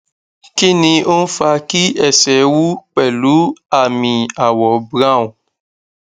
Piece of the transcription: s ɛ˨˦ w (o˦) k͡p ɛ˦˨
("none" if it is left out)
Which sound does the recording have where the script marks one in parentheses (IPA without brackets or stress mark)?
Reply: u˦